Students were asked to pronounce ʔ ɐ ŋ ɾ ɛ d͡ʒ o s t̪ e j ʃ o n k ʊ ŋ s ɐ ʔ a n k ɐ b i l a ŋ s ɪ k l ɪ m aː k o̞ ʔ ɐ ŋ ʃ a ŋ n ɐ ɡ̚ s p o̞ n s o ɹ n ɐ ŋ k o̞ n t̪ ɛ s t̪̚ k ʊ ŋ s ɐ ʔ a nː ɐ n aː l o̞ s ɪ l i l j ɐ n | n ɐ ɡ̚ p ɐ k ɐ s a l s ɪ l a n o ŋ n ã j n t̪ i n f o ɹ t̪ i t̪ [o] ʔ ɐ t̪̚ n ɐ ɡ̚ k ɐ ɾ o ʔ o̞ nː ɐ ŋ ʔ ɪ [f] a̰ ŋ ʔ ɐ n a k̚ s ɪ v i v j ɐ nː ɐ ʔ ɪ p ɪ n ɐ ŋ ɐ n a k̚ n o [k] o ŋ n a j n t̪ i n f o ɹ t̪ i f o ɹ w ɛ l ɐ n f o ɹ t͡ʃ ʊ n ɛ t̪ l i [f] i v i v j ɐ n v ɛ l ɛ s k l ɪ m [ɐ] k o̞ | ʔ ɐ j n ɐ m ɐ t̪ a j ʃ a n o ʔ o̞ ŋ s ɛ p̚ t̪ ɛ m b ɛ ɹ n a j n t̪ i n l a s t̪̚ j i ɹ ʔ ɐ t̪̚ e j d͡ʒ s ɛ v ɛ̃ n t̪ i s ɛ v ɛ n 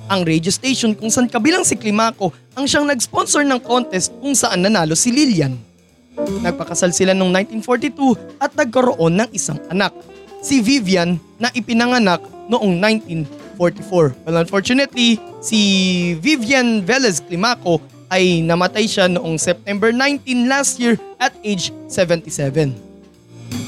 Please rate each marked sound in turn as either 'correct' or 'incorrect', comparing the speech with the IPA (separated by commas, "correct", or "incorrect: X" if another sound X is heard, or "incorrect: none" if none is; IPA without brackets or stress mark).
incorrect: u, incorrect: s, incorrect: ʔ, incorrect: s, incorrect: a